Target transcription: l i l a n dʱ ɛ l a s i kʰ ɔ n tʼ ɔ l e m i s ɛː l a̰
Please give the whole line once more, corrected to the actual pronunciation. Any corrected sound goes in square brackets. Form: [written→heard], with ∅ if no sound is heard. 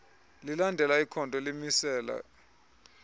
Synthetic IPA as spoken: l i l a n dʱ ɛ l a [s→∅] i kʰ ɔ n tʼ ɔ l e m i s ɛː l a̰